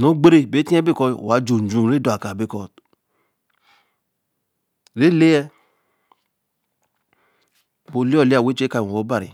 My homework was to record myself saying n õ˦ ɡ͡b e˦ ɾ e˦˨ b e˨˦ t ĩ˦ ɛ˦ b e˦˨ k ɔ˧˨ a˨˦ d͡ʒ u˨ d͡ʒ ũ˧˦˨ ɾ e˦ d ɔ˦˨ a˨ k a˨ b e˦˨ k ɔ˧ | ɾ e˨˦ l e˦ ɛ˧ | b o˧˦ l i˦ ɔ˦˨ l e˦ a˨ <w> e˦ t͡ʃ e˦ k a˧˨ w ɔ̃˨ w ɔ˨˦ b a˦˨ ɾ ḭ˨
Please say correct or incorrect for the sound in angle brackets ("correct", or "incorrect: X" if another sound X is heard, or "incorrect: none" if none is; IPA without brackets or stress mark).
correct